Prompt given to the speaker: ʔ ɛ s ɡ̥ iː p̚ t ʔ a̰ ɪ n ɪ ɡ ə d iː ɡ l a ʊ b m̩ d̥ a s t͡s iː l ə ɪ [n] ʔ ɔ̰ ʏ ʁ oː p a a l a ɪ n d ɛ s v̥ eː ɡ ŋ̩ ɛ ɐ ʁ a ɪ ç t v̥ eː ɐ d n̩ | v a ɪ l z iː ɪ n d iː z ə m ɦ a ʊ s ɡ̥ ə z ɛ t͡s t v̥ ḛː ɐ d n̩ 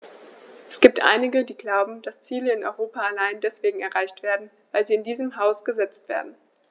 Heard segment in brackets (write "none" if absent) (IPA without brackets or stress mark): n